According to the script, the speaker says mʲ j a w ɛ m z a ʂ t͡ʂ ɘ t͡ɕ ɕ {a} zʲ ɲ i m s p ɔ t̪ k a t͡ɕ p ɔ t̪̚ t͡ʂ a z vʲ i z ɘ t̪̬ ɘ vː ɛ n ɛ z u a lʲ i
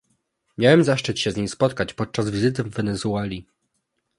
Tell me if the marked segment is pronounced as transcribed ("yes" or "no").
no